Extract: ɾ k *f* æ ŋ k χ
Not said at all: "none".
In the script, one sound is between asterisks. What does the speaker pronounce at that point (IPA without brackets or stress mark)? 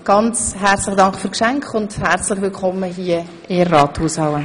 ʃ